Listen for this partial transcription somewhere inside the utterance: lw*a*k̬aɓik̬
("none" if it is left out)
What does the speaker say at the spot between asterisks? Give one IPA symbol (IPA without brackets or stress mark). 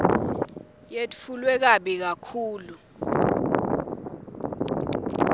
ɛ